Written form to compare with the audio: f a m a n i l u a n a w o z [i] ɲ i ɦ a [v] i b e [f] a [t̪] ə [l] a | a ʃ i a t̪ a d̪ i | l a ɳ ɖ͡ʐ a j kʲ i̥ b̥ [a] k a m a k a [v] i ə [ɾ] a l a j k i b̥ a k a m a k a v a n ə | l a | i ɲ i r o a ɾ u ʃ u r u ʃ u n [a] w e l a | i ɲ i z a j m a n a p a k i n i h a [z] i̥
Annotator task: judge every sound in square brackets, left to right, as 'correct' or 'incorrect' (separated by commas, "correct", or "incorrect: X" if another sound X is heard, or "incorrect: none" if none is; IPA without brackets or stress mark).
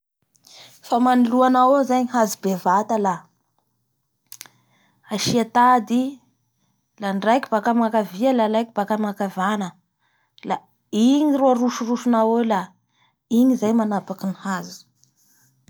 incorrect: a, incorrect: z, incorrect: v, correct, correct, correct, correct, incorrect: l, correct, correct